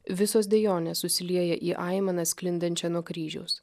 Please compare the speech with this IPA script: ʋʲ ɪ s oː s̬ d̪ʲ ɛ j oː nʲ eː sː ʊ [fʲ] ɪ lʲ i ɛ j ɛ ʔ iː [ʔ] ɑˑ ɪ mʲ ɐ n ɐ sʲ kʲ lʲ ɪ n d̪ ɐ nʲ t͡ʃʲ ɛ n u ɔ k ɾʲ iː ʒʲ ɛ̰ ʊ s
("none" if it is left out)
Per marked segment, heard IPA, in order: sʲ, ʔ

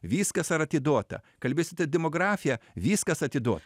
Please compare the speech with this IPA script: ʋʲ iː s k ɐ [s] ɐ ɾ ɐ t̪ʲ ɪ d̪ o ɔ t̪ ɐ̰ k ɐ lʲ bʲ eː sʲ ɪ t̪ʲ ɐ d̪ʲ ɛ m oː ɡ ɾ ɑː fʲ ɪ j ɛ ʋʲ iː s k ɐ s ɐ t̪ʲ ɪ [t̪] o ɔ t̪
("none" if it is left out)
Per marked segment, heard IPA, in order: s, d̪

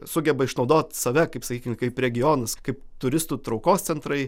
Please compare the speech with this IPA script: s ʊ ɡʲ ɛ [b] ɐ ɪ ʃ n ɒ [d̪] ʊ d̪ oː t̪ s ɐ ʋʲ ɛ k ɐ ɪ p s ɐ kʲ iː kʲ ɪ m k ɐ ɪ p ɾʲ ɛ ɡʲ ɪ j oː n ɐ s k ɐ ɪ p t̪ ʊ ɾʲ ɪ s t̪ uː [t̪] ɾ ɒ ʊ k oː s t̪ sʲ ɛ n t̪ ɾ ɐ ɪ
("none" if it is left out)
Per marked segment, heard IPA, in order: b, none, t̪

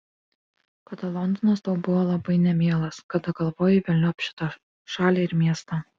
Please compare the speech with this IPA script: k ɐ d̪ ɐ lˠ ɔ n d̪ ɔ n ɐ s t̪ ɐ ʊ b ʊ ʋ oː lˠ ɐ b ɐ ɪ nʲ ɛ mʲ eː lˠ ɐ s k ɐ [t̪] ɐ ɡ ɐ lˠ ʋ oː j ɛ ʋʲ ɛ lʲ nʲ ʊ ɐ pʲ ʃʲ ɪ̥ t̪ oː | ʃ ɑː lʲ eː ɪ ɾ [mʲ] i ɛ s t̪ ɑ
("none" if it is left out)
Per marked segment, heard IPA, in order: d̪, mʲ

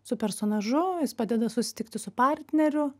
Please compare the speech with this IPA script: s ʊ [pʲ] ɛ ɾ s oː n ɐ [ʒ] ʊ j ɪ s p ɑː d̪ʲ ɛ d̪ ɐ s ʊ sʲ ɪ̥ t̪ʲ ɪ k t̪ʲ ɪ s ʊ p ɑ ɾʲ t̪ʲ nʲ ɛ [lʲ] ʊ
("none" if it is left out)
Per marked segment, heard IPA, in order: pʲ, ʒ, ɾʲ

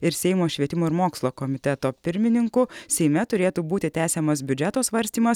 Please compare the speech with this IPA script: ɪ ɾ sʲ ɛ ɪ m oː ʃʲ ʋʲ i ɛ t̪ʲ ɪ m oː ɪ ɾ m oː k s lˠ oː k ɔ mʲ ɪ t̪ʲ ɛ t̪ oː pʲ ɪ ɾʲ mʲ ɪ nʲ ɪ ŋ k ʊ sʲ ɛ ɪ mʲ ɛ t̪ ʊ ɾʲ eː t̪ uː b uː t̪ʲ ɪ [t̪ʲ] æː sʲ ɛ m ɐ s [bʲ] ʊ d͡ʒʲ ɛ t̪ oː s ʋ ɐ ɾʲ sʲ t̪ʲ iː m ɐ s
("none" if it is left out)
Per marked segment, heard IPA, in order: t̪ʲ, bʲ

